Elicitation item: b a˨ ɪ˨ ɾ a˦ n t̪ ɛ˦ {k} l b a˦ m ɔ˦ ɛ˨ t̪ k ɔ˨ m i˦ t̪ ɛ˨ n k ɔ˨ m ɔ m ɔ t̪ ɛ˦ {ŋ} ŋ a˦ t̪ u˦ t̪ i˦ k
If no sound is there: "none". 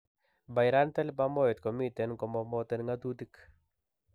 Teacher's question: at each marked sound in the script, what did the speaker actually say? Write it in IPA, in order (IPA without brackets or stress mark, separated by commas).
none, n